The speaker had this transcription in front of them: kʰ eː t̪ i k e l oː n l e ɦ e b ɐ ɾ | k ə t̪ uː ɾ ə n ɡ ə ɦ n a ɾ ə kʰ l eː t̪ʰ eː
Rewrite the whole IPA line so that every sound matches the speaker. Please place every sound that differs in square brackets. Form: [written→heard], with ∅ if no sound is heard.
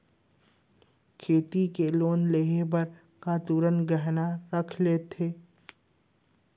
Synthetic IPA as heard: kʰ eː t̪ i k e l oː n l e ɦ e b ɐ ɾ | k [ə→a] t̪ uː ɾ ə n ɡ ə ɦ n a ɾ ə kʰ l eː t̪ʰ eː

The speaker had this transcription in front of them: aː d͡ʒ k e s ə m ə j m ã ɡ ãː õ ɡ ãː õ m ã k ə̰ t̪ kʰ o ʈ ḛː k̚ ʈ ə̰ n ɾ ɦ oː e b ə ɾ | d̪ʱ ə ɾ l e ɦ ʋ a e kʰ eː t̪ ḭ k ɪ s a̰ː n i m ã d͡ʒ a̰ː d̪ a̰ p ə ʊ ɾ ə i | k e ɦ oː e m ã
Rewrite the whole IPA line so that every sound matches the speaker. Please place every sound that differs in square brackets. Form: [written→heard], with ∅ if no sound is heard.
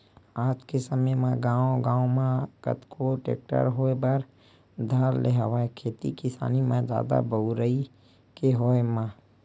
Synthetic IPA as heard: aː d͡ʒ k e s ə m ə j m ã ɡ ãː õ ɡ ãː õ m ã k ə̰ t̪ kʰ o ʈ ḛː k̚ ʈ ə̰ [n→∅] ɾ ɦ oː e b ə ɾ | d̪ʱ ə ɾ l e ɦ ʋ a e kʰ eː t̪ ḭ k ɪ s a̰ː n i m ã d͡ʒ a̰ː d̪ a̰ [p→b] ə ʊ ɾ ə i | k e ɦ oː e m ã

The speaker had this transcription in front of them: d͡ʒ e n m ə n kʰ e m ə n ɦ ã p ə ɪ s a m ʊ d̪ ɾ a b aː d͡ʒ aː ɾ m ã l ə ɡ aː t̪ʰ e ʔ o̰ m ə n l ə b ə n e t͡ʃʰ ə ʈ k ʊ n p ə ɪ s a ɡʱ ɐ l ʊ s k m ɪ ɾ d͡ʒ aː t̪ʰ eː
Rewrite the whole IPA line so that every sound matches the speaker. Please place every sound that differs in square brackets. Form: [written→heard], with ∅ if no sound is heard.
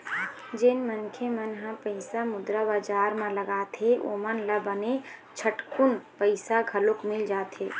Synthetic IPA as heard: d͡ʒ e n m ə n kʰ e m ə n ɦ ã p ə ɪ s a m ʊ d̪ ɾ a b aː d͡ʒ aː ɾ m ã l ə ɡ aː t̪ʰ e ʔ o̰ m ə n l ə b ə n e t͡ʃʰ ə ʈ k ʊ n p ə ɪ s a ɡʱ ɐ l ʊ [s→∅] k m ɪ [ɾ→l] d͡ʒ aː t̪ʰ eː

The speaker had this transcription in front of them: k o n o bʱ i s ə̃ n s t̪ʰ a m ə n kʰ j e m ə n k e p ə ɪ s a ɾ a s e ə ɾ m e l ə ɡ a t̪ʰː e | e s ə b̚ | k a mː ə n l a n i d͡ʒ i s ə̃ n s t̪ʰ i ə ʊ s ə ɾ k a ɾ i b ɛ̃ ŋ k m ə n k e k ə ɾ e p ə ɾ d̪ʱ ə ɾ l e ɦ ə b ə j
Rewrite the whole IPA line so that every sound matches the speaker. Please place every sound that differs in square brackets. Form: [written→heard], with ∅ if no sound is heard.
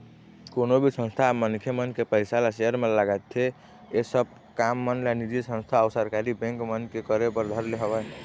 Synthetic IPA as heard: k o n o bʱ i s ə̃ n s t̪ʰ a m ə n kʰ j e m ə n k e p ə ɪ s a [ɾ→l] a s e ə ɾ m e l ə ɡ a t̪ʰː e | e s ə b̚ | k a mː ə n l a n i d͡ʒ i s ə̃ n s t̪ʰ [i→a] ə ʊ s ə ɾ k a ɾ i b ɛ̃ ŋ k m ə n k e k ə ɾ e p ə ɾ d̪ʱ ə ɾ l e ɦ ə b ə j

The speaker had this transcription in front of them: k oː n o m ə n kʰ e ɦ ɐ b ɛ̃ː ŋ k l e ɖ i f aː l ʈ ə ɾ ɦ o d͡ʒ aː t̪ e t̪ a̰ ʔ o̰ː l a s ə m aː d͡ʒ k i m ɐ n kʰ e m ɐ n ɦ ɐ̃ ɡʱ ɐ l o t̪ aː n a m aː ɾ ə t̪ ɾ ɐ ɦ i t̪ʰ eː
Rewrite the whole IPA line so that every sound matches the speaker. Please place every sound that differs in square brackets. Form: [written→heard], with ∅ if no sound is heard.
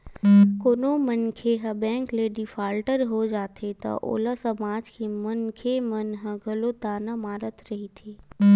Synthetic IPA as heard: k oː n o m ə n kʰ e ɦ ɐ b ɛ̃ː ŋ k l e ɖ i f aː l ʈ ə ɾ ɦ o d͡ʒ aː t̪ e t̪ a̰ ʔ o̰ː l a s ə m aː d͡ʒ k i m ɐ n kʰ e m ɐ n ɦ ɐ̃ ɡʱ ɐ l o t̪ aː n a m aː ɾ ə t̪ ɾ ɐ ɦ i t̪ʰ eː

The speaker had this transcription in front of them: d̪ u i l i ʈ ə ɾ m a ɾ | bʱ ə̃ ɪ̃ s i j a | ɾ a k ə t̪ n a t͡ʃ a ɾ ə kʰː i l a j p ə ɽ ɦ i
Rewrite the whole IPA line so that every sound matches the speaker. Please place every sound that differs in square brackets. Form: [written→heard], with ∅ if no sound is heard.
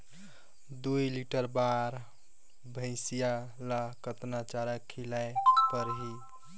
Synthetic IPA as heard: d̪ u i l i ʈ ə ɾ [m→b] a ɾ | bʱ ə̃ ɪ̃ s i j a | [ɾ→l] a k ə t̪ n a t͡ʃ a ɾ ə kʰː i l a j p ə [ɽ→ɾ] ɦ i

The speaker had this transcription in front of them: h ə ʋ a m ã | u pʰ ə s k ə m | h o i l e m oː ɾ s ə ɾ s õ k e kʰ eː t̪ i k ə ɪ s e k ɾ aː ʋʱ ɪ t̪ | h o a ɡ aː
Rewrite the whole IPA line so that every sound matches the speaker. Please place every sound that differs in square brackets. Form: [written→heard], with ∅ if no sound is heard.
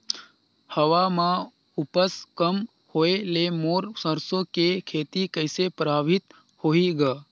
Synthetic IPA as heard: h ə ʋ a m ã | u [pʰ→p] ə s k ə m | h o [i→e] l e m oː ɾ s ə ɾ s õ k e kʰ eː t̪ i k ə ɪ s e [k→p] ɾ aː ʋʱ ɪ t̪ | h o [a→i] ɡ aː

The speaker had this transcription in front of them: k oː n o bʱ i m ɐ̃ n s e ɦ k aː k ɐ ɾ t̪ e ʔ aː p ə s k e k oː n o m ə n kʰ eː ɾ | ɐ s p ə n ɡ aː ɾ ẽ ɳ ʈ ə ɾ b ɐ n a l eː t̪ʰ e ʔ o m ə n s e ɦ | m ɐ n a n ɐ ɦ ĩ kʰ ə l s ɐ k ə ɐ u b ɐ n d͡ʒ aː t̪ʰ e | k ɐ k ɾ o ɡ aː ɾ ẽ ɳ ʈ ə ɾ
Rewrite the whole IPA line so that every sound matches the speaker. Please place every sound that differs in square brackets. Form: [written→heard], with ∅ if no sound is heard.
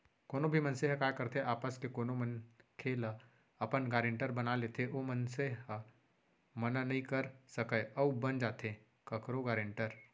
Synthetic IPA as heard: k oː n o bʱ i m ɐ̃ n s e ɦ k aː k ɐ ɾ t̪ e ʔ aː p ə s k e k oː n o m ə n kʰ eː [ɾ→l] | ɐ [s→∅] p ə n ɡ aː ɾ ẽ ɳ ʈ ə ɾ b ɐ n a l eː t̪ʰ e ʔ o m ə n s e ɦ | m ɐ n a n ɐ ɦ ĩ [kʰ→k] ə [l→ɾ] s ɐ k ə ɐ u b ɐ n d͡ʒ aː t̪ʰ e | k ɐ k ɾ o ɡ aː ɾ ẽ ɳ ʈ ə ɾ

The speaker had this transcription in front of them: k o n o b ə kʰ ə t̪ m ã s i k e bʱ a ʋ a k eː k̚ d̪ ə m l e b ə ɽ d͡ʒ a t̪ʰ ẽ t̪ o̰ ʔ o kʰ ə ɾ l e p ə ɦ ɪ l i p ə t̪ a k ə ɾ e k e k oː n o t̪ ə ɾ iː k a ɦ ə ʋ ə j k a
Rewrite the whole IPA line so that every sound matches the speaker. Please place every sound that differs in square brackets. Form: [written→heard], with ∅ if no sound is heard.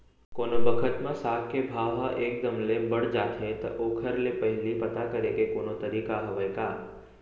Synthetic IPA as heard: k o n o b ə kʰ ə t̪ m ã s [i→a] k e bʱ a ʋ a [k→ʔ] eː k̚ d̪ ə m l e b ə ɽ d͡ʒ a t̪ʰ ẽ t̪ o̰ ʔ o kʰ ə ɾ l e p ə ɦ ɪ l i p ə t̪ a k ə ɾ e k e k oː n o t̪ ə ɾ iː k a ɦ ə ʋ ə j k a

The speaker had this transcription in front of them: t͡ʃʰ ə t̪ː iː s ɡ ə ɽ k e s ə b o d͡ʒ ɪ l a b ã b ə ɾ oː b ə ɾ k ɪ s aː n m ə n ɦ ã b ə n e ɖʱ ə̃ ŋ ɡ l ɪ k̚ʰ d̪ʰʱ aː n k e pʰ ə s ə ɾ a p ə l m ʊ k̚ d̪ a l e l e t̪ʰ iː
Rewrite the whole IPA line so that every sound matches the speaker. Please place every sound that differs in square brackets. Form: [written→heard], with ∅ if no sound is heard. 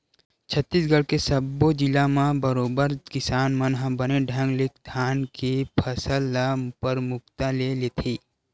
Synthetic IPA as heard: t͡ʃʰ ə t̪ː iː s ɡ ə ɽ k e s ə b o d͡ʒ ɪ l a [b→m] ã b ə ɾ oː b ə ɾ k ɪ s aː n m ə n ɦ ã b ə n e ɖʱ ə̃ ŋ ɡ l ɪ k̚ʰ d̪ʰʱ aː n k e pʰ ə s ə [ɾ→l] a p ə [l→ɾ] m ʊ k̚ [d̪→t̪] a l e l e t̪ʰ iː

